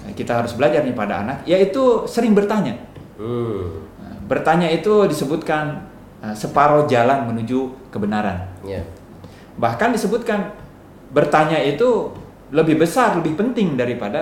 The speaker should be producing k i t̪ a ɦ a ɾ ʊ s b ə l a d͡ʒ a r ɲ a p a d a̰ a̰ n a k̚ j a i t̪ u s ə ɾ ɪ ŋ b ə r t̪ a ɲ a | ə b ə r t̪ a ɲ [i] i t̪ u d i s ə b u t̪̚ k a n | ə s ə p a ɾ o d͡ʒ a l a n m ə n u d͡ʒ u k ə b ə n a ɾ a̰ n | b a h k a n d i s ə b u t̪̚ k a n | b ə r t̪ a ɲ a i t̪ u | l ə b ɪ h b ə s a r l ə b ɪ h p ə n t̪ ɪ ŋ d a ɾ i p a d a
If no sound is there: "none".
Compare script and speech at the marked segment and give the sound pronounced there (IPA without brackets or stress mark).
a